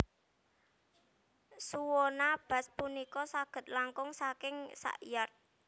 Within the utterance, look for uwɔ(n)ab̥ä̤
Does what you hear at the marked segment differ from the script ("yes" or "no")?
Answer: no